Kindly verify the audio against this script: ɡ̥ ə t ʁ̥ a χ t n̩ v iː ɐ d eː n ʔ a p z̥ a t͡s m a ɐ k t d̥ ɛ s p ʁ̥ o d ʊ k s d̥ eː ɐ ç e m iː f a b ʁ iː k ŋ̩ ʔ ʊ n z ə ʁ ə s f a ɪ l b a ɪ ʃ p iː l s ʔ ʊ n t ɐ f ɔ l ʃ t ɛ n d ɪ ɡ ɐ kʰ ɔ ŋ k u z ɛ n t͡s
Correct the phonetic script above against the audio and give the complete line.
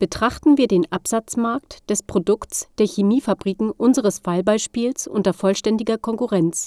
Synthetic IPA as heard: b̥ ə t ʁ̥ a χ t n̩ v iː ɐ d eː n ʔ a p z̥ a t͡s m a ɐ k t d̥ ɛ s p ʁ̥ o d ʊ k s d̥ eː ɐ ç e m iː f a b ʁ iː k ŋ̩ ʔ ʊ n z ə ʁ ə s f a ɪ l b a ɪ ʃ p iː l s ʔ ʊ n t ɐ f ɔ l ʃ t ɛ n d ɪ ɡ ɐ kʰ ɔ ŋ k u ʁ ɛ n t͡s